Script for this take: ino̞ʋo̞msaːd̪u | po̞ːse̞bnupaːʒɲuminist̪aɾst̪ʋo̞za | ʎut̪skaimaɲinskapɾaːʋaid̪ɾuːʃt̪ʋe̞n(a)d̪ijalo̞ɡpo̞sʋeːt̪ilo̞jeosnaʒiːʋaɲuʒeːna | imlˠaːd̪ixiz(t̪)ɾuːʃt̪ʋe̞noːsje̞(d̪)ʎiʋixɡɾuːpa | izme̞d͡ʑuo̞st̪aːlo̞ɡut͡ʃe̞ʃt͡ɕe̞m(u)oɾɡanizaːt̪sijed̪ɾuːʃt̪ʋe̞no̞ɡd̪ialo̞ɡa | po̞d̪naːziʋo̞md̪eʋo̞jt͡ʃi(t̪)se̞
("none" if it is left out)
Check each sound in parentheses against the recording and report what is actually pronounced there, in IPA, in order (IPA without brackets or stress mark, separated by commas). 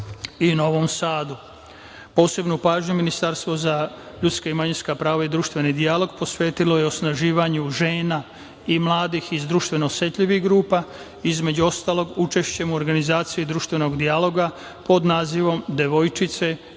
i, d̪, t̪, u, t̪